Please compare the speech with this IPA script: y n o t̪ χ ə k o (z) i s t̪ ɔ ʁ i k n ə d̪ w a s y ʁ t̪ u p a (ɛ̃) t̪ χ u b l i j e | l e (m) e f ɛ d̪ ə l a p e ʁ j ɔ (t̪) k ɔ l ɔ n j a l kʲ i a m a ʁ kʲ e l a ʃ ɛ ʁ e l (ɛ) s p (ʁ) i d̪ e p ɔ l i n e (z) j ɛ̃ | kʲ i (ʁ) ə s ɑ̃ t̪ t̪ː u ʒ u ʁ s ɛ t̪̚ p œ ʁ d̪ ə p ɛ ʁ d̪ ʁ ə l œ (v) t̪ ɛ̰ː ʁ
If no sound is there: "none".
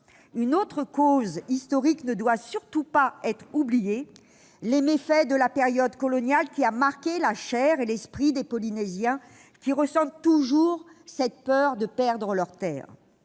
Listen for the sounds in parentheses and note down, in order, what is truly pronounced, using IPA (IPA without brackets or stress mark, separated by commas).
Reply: z, ɛ, m, d̪, ɛ, χ, z, ʁ, ʁ